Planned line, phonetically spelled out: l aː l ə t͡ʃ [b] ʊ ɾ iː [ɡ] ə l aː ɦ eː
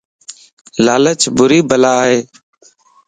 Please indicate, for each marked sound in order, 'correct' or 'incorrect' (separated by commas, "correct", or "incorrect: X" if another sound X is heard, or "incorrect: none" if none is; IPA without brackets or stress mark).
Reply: correct, incorrect: b